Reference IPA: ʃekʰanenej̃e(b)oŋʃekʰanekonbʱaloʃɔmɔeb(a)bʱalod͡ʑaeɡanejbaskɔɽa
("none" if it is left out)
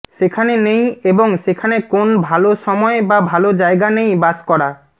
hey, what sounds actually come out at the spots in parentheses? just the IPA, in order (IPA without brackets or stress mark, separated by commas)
b, a